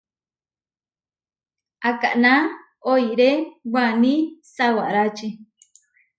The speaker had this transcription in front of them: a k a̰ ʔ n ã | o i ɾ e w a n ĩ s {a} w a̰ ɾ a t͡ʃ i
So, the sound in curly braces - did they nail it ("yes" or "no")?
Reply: yes